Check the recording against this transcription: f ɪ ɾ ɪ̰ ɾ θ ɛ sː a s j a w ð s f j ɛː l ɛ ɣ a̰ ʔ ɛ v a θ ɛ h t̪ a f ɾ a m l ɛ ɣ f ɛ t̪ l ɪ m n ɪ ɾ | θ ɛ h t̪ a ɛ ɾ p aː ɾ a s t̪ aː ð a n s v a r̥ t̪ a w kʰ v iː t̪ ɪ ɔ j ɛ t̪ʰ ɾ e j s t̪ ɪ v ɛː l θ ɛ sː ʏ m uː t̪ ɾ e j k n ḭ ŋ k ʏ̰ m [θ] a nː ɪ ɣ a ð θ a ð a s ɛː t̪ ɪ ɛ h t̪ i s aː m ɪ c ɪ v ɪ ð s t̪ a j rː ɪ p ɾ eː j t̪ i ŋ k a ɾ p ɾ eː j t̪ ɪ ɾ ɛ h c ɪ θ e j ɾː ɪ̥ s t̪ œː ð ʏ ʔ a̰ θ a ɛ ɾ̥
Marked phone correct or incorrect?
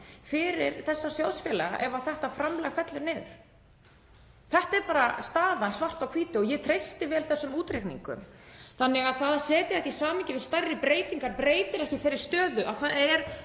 correct